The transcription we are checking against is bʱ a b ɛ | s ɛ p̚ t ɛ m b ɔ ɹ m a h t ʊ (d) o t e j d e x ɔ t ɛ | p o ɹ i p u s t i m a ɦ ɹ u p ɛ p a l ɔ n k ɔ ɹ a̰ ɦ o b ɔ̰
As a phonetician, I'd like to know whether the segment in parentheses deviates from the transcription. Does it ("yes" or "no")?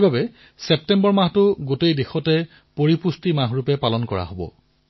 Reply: yes